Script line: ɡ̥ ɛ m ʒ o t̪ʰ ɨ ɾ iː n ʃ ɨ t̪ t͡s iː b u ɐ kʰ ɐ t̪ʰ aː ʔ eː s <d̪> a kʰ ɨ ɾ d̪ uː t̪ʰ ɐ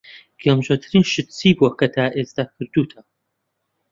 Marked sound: incorrect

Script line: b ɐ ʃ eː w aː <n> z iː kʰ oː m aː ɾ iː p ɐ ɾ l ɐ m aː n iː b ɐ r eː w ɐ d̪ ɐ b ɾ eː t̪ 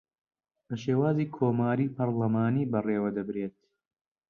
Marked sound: incorrect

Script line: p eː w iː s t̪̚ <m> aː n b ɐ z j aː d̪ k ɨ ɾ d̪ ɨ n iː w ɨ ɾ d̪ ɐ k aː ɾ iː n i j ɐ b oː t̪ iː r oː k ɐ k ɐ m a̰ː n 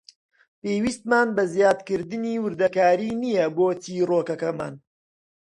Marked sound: correct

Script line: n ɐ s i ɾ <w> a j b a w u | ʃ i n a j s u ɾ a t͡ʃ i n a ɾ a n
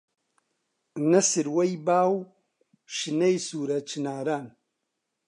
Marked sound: correct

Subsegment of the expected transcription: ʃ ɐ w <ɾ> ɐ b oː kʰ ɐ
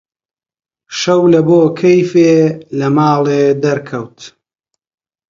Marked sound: incorrect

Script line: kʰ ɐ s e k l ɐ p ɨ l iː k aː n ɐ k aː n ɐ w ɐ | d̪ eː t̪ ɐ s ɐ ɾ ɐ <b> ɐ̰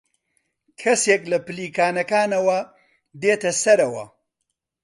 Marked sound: incorrect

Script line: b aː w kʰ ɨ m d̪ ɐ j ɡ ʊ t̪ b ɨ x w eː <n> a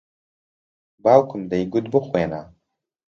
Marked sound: correct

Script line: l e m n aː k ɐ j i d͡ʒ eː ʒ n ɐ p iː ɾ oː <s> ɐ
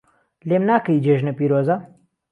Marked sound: incorrect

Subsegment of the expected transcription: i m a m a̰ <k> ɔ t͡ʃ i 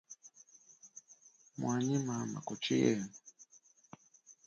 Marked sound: correct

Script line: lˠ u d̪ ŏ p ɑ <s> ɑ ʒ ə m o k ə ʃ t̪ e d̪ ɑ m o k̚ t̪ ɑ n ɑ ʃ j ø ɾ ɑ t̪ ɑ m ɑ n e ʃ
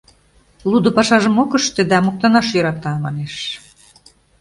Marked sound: incorrect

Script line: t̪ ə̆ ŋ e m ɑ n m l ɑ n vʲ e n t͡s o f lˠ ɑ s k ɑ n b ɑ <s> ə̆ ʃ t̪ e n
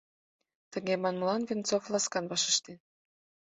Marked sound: incorrect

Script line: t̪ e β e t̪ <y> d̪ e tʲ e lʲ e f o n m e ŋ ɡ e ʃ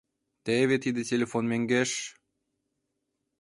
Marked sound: incorrect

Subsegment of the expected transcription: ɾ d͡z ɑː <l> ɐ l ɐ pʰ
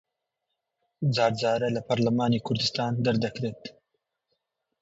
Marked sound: incorrect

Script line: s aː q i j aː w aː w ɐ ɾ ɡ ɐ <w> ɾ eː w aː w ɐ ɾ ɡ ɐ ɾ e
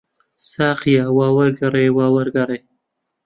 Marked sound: incorrect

